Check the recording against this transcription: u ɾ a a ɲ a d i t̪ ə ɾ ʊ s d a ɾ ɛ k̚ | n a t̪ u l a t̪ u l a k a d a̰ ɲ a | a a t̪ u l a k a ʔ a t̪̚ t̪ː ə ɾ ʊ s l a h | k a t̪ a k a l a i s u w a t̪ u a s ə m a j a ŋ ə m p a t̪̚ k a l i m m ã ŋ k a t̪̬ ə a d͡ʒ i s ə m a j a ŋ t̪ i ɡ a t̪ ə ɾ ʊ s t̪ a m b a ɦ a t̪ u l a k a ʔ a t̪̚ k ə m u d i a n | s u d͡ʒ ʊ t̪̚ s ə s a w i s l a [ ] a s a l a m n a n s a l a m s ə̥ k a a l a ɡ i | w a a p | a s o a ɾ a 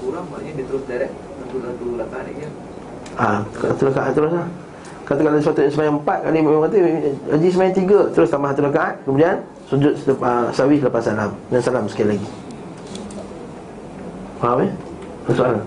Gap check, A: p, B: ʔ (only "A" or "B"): A